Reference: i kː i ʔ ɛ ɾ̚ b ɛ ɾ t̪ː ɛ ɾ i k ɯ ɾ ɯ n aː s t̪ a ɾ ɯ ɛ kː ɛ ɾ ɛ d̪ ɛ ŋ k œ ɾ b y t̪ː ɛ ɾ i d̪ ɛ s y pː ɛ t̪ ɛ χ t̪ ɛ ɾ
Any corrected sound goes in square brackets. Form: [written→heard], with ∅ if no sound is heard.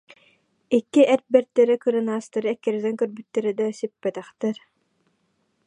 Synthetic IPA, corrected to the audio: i kː i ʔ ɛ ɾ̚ b ɛ ɾ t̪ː ɛ ɾ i k ɯ ɾ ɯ n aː s t̪ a ɾ ɯ ɛ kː ɛ ɾ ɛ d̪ ɛ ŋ k œ ɾ b y t̪ː ɛ ɾ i d̪ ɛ s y pː ɛ t̪ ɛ χ t̪ ɛ ɾ